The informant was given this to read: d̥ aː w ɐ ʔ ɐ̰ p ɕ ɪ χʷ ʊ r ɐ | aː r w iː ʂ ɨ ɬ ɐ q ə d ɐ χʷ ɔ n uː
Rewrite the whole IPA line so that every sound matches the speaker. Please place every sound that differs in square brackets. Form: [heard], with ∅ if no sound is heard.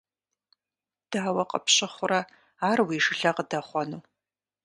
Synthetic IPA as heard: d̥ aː w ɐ [q] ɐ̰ p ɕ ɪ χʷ ʊ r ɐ | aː r w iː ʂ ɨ ɬ ɐ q ə d ɐ χʷ ɔ n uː